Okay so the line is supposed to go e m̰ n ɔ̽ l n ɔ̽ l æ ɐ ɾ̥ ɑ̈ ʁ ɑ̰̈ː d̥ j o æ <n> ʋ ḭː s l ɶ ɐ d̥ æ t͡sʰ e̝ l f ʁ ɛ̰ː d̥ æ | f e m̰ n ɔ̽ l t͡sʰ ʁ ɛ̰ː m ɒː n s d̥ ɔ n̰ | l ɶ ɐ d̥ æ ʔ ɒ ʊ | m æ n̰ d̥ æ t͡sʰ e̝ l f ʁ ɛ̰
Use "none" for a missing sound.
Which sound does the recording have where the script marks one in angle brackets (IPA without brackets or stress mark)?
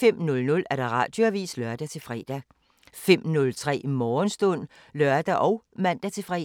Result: none